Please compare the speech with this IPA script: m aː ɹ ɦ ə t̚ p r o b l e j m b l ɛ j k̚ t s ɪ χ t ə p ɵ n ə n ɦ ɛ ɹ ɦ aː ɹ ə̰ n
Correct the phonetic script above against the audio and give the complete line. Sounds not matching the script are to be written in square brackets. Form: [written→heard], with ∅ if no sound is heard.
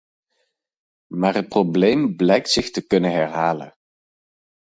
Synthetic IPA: m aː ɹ ɦ ə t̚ p r o b l e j m b l ɛ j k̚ t s ɪ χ t ə [p→k] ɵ n ə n ɦ ɛ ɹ ɦ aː [ɹ→l] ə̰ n